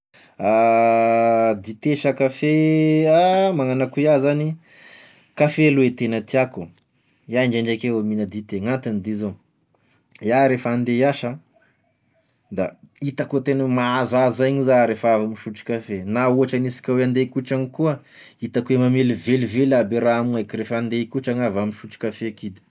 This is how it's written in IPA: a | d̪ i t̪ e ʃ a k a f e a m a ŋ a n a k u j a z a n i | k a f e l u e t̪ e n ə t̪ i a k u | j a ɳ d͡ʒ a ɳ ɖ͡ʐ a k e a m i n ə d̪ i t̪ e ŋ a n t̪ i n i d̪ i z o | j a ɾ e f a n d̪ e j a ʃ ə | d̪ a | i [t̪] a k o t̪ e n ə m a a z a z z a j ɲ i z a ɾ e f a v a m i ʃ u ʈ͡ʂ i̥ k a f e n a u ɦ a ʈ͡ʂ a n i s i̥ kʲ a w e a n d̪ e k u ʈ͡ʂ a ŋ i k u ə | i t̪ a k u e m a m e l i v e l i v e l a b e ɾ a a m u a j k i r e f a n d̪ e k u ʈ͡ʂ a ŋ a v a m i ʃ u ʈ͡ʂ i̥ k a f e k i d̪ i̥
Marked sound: correct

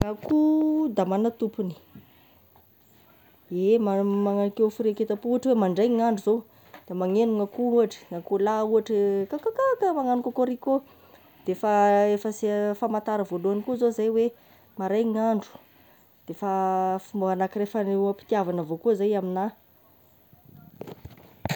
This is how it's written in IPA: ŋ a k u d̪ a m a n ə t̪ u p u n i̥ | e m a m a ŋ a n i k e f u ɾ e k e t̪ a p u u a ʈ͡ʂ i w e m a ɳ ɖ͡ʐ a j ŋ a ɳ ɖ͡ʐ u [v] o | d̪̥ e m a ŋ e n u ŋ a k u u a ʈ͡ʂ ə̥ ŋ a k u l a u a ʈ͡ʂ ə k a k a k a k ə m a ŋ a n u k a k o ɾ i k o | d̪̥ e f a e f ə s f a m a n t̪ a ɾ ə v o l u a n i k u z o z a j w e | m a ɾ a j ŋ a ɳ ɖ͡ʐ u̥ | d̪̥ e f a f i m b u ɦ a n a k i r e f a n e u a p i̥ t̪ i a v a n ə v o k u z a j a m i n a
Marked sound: incorrect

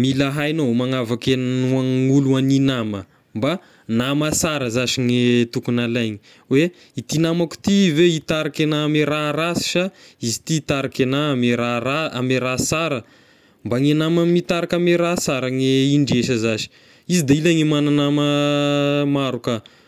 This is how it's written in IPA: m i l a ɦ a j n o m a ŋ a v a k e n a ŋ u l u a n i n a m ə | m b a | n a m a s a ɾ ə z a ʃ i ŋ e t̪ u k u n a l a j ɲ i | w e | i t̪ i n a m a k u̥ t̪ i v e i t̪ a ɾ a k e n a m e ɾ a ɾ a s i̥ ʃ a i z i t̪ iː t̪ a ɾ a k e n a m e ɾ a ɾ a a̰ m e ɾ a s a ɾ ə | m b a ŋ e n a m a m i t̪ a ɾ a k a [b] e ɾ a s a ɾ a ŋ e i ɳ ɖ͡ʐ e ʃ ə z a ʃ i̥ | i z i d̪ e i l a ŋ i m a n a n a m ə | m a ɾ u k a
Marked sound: incorrect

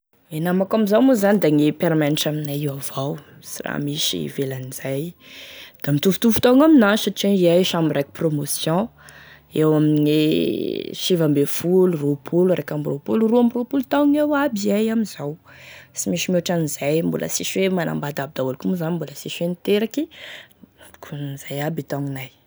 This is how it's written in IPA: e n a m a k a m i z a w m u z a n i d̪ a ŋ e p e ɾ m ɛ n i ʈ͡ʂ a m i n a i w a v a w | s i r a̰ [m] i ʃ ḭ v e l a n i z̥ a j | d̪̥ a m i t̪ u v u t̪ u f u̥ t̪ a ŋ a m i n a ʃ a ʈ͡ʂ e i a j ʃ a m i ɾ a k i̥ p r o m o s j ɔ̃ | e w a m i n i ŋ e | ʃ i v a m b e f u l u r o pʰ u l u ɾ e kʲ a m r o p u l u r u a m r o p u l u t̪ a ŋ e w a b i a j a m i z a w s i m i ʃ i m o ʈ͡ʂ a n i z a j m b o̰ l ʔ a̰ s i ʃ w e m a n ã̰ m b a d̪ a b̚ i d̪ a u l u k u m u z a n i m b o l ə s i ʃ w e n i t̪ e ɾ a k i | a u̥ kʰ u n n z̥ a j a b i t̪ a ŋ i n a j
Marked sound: correct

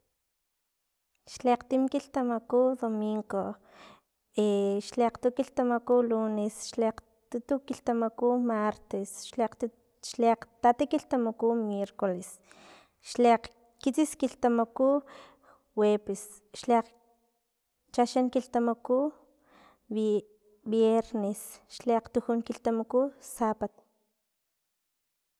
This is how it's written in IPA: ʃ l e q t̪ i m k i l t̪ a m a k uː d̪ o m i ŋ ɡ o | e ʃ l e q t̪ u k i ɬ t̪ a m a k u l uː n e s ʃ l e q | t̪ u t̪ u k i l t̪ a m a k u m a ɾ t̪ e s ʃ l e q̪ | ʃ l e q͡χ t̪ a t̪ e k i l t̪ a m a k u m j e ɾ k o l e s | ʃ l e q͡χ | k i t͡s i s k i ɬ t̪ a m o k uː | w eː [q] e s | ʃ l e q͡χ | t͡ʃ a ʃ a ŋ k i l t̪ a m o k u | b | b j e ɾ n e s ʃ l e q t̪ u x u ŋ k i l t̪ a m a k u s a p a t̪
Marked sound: incorrect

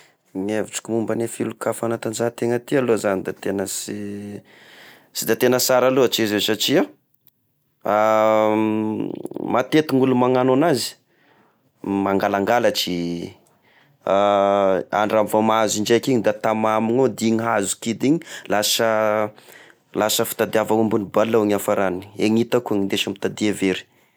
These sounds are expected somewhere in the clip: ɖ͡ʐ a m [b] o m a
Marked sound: incorrect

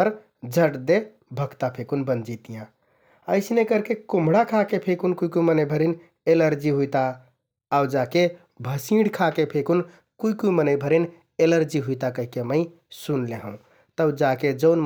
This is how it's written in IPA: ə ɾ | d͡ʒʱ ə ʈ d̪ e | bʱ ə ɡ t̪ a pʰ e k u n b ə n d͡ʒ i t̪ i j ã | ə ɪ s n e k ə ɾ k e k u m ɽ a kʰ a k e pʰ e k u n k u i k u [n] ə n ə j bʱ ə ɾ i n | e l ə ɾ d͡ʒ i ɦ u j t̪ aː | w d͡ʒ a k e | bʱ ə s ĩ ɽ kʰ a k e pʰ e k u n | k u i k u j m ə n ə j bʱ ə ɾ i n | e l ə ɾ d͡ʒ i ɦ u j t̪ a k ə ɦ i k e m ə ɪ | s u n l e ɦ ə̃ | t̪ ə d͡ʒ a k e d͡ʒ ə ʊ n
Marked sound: incorrect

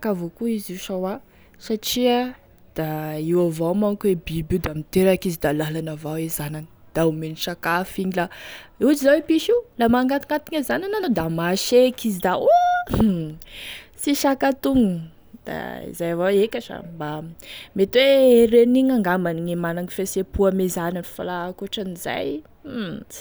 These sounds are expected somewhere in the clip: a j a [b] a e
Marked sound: incorrect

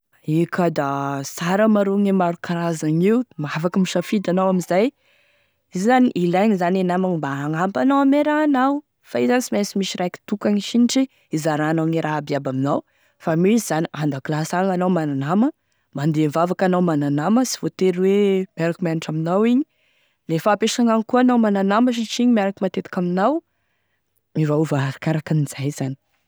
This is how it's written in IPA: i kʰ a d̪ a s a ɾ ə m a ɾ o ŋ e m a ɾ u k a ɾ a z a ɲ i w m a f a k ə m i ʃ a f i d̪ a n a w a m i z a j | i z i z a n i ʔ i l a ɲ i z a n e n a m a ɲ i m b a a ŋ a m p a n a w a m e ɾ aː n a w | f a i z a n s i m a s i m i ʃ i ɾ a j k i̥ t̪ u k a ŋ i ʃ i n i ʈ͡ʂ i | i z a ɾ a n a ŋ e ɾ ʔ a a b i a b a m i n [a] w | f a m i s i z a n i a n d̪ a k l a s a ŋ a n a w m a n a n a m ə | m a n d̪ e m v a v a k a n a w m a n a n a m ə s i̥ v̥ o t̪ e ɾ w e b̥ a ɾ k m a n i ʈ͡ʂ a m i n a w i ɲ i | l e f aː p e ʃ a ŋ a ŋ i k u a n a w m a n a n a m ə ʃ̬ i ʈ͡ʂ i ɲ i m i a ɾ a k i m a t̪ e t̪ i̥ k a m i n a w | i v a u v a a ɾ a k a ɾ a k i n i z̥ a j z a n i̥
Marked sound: correct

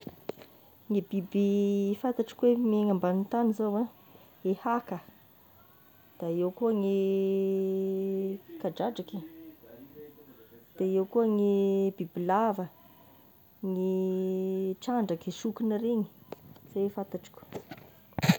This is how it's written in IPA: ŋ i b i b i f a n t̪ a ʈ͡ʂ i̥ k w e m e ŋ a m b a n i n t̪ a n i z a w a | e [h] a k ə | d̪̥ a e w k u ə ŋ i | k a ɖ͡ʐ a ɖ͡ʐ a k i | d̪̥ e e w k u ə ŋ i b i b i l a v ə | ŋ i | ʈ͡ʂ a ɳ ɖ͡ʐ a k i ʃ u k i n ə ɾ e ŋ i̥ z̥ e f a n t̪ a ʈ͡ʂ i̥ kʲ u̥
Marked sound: correct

